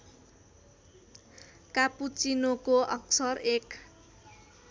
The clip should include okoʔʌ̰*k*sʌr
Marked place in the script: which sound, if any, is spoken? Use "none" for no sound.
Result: k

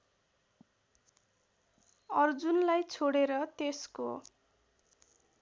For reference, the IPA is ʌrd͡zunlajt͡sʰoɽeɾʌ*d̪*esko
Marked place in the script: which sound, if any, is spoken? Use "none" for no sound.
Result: t̪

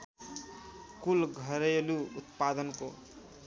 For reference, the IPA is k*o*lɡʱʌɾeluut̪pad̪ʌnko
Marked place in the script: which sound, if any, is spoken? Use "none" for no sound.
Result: u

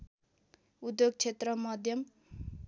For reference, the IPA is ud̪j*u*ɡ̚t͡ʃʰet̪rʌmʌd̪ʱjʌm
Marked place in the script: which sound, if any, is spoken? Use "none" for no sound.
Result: o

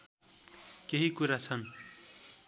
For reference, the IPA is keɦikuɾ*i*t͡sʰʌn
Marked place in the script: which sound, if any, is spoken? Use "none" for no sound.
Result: a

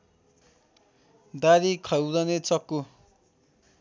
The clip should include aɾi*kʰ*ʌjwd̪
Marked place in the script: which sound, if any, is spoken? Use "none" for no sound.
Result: kʰ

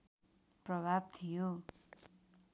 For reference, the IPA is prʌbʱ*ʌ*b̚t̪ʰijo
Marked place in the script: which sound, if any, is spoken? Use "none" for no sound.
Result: a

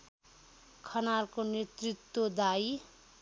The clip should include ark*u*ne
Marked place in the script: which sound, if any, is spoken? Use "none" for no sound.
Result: o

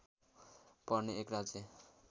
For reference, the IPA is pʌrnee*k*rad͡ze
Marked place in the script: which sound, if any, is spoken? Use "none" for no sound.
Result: k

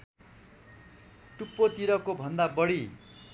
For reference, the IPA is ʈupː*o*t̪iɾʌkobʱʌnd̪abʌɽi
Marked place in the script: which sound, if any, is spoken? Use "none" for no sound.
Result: o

